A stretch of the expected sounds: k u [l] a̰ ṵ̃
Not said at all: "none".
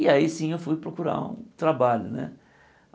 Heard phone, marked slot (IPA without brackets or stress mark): ɾ